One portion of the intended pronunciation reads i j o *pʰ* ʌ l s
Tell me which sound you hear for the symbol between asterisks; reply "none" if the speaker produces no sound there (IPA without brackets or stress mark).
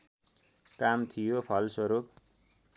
pʰ